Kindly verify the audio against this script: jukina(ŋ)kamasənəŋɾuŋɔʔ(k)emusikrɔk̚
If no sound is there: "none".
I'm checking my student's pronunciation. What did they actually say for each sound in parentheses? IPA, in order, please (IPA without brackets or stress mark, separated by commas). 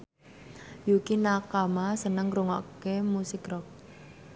none, k